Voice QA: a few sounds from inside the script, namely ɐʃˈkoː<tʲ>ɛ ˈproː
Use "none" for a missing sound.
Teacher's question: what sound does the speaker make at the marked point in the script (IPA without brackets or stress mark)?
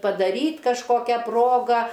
kʲ